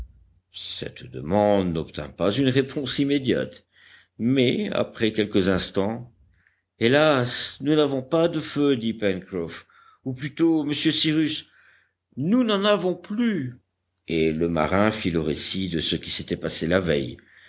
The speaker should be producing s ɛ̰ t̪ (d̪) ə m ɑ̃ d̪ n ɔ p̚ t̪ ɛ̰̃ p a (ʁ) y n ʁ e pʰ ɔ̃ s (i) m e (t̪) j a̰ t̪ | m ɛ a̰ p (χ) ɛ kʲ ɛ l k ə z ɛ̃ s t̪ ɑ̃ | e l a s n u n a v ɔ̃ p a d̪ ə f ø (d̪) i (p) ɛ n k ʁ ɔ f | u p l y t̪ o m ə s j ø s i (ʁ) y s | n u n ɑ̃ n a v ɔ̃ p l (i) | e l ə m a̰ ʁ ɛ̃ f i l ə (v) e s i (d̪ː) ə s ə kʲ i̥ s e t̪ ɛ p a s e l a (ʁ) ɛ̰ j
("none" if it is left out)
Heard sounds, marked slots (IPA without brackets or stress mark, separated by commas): d̪, z, i, d̪, χ, d̪, p, ʁ, y, ʁ, d̪, v